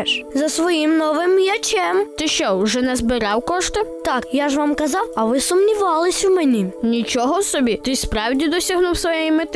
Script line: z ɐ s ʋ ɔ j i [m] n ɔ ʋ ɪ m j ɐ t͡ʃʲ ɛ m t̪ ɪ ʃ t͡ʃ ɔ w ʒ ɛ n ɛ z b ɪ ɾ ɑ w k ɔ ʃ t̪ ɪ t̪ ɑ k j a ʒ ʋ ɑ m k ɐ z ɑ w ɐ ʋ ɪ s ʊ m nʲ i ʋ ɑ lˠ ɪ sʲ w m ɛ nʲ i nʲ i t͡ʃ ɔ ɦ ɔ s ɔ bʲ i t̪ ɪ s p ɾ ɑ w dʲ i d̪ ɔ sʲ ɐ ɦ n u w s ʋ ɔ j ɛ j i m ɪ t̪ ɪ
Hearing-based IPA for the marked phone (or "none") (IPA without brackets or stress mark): m